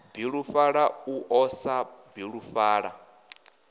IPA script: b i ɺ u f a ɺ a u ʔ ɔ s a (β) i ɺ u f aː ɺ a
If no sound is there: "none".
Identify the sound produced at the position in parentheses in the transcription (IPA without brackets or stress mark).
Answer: b